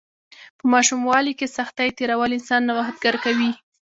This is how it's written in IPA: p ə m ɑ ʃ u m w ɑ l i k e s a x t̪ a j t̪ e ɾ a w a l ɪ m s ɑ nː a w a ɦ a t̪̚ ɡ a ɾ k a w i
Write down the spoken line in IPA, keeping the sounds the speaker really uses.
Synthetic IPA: p ə m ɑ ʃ u m w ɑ l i k e s a x t̪ a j t̪ e ɾ a w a l ɪ n s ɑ nː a w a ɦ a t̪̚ ɡ a ɾ k a w i